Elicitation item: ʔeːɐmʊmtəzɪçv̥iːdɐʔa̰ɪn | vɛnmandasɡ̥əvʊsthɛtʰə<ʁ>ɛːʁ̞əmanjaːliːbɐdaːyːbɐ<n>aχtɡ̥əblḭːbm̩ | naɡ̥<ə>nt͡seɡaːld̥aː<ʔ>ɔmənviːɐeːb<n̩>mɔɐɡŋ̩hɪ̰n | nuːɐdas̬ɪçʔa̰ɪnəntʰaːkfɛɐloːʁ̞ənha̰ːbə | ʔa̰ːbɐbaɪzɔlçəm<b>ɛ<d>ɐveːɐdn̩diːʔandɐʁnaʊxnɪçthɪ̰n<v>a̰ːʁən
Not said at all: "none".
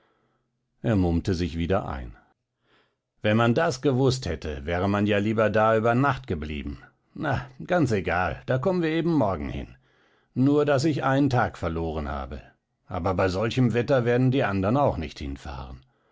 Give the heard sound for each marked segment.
v, n, a, k, m̩, v, t, f

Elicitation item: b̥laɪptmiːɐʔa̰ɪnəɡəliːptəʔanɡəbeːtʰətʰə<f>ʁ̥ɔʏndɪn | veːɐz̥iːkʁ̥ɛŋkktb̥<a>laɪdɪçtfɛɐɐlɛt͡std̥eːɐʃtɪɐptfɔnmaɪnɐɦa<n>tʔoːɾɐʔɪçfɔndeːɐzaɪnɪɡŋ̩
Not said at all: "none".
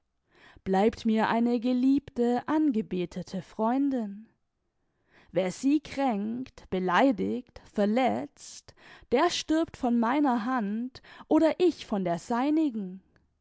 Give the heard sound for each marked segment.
f, ə, n

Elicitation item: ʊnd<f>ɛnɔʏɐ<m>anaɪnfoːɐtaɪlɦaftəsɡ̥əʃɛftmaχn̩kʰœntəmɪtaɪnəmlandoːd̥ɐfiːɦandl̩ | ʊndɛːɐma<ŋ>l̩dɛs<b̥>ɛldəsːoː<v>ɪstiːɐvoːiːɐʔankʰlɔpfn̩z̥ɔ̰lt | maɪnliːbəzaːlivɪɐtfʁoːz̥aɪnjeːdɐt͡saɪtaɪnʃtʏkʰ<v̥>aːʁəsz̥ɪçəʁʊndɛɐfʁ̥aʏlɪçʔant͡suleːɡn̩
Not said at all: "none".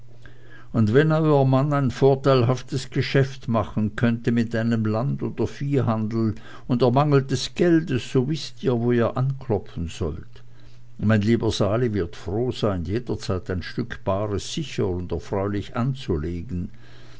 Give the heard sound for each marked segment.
v, m, ŋ, ɡ̥, v, b̥

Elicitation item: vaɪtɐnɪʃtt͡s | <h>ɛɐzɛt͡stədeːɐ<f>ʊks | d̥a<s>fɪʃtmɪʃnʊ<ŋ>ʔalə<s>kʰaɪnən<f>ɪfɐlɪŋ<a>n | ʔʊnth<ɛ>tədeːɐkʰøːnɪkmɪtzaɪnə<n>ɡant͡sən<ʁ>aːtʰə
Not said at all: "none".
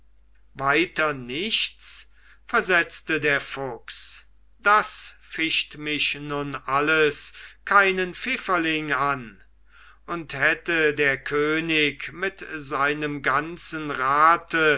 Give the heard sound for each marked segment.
f, f, s, n, s, f, a, ɛ, m, ʁ

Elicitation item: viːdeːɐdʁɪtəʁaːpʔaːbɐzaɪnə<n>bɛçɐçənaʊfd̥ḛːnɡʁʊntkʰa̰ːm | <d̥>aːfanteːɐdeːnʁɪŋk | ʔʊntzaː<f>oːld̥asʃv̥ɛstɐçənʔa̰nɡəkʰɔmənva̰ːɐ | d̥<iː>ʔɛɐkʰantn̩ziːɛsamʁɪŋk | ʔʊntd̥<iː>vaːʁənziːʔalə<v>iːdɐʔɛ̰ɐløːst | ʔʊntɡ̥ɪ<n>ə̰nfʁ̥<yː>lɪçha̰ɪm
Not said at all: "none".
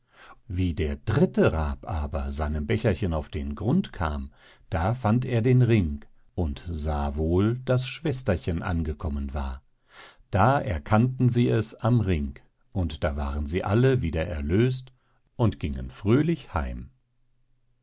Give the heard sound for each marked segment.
m, d̥, v, aː, aː, v, ŋ, øː

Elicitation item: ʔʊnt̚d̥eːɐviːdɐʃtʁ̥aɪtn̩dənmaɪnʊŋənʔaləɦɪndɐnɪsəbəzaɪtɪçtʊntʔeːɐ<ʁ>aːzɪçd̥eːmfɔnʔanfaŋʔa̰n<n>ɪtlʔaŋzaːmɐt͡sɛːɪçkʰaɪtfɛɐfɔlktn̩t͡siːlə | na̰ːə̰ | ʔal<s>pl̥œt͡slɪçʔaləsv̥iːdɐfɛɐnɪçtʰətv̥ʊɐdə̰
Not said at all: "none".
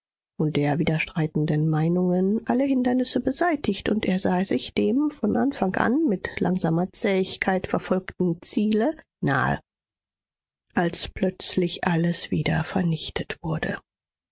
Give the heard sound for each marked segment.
z, m, s

